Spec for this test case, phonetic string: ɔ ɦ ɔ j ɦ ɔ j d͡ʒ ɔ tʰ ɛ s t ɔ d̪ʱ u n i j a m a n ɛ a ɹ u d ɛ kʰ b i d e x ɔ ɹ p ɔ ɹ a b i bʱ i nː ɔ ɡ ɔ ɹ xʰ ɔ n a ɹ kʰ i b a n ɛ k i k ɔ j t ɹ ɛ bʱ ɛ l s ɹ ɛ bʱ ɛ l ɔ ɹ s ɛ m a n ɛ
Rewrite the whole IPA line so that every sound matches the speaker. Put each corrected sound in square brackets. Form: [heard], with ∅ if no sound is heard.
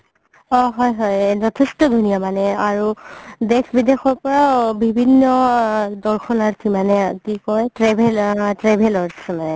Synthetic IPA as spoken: ɔ ɦ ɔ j ɦ ɔ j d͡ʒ ɔ tʰ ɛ s t ɔ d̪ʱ u n i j a m a n ɛ a ɹ u d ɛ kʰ b i d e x ɔ ɹ p ɔ ɹ a b i bʱ i nː ɔ [d] ɔ ɹ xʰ ɔ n a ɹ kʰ i [m] a n ɛ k i k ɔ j t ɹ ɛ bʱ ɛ l [t] ɹ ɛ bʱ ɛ l ɔ ɹ s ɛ m a n ɛ